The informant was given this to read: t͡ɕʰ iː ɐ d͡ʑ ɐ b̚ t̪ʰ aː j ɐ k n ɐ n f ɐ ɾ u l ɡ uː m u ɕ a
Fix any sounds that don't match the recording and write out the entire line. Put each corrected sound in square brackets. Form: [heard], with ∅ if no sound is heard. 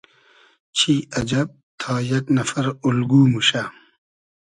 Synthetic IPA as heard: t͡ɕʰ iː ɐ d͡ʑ ɐ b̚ t̪ʰ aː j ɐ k n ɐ [∅] f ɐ ɾ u l ɡ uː m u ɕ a